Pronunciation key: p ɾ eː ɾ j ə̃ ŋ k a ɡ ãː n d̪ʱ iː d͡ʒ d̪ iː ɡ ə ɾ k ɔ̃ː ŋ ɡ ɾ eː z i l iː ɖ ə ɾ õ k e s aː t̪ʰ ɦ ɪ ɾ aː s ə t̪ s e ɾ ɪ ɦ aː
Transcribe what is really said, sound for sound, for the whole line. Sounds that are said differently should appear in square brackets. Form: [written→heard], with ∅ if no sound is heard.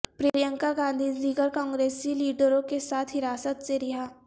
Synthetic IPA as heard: p ɾ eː ɾ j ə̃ ŋ k a ɡ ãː n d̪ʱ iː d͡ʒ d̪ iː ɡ ə ɾ k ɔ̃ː ŋ ɡ ɾ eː [z→s] i l iː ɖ ə ɾ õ k e s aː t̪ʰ ɦ ɪ ɾ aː s ə t̪ s e ɾ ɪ ɦ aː